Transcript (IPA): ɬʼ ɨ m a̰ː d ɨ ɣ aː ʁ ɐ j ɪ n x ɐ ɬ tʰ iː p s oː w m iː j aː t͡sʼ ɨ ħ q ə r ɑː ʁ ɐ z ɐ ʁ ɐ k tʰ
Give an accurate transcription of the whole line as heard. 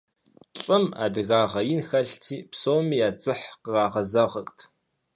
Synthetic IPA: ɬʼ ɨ m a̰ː d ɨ ɣ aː ʁ ɐ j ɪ n x ɐ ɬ tʰ iː p s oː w m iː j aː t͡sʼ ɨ ħ q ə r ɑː ʁ ɐ z ɐ ʁ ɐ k tʰ